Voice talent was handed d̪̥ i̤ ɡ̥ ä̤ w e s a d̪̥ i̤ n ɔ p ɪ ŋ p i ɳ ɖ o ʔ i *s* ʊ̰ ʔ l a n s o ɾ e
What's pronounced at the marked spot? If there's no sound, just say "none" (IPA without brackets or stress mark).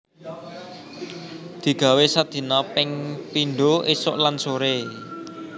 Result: s